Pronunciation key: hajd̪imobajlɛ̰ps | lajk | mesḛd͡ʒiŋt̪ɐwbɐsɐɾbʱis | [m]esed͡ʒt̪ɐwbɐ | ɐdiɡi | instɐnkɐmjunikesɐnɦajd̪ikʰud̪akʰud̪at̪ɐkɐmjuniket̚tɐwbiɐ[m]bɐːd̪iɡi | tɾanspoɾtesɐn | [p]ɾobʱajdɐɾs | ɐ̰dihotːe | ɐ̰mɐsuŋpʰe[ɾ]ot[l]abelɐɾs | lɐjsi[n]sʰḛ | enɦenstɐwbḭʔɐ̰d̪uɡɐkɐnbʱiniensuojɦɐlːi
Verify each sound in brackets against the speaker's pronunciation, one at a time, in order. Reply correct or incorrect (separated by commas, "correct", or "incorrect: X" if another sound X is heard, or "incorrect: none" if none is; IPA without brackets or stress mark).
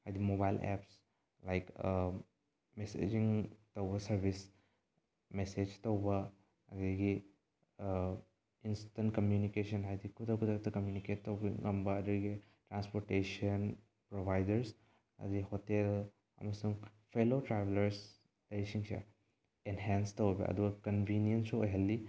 correct, correct, correct, incorrect: l, incorrect: ɾ, incorrect: ŋ